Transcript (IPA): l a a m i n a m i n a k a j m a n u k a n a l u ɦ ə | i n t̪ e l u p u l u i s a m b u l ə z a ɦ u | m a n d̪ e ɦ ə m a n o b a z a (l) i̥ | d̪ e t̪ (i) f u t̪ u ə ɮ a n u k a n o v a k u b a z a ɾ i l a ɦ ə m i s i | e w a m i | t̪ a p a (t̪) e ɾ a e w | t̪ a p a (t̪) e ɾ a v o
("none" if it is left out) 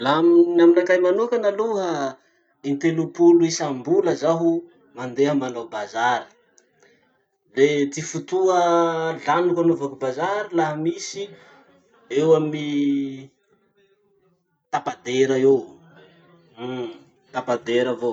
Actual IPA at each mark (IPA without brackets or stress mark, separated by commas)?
ɾ, i, d̪, d̪